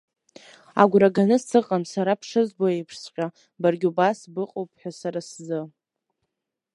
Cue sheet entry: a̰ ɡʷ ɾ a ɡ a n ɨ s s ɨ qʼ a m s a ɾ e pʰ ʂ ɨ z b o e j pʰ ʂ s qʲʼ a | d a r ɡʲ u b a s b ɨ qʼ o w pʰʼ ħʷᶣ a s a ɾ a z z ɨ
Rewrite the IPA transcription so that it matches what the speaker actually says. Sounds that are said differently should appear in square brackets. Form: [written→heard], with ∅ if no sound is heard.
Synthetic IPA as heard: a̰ ɡʷ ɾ a ɡ a n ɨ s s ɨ qʼ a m s a ɾ [e→a] pʰ ʂ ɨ z b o e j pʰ ʂ s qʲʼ a | [d→b] a r ɡʲ u b a s b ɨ qʼ o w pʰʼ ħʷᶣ a s a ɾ a [z→s] z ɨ